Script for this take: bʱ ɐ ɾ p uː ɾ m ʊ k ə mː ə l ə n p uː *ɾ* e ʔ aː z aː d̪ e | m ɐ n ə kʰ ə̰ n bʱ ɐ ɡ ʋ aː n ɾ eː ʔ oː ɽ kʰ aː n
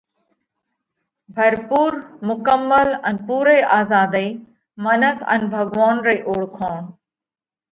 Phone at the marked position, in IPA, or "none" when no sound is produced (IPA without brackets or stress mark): ɾ